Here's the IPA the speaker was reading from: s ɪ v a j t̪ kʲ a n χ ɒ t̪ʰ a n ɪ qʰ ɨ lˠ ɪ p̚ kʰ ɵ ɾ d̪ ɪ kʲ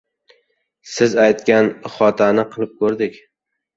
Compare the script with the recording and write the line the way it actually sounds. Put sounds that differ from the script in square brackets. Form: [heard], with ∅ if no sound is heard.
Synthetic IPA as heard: s ɪ [z] a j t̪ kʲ a n χ ɒ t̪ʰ a n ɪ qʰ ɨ lˠ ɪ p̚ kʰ ɵ ɾ d̪ ɪ kʲ